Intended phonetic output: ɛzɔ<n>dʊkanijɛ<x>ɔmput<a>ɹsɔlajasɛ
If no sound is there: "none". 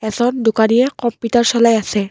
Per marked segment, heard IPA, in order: n, k, a

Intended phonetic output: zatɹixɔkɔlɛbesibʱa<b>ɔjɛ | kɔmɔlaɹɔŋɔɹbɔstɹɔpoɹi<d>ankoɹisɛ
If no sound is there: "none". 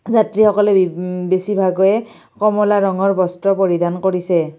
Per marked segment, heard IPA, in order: ɡ, d

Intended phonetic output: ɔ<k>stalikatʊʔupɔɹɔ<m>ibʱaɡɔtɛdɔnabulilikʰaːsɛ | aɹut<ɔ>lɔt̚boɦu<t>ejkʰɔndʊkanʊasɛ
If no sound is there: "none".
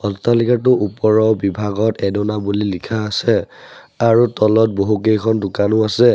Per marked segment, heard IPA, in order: none, b, ɔ, k

